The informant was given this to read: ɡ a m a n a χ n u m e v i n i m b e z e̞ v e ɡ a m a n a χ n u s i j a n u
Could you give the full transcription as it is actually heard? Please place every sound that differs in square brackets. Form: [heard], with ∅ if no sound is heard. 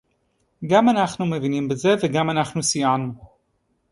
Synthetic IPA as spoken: ɡ a m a n a χ n u m e v i n i m b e z e̞ v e ɡ a m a n a χ n u s i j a n u